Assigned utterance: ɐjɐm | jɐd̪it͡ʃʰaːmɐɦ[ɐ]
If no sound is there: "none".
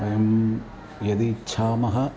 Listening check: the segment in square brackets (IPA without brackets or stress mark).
ɐ